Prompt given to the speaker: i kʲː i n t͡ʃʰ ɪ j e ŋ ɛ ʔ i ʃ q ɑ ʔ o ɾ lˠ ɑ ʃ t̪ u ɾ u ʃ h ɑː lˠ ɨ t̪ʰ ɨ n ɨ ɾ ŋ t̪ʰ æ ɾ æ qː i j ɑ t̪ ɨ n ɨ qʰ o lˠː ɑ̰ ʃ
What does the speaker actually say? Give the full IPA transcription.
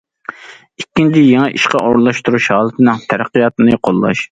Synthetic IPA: i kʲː i n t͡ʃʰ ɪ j e ŋ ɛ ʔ i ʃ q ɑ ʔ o ɾ lˠ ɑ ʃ t̪ u ɾ u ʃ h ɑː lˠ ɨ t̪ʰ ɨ n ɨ ŋ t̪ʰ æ ɾ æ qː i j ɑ t̪ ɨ n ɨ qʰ o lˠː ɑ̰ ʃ